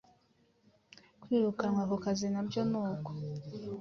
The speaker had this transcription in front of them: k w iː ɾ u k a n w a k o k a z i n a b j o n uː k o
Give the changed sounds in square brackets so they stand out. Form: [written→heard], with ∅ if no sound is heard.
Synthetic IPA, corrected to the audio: k w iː ɾ u k a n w a k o k a z i n a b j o n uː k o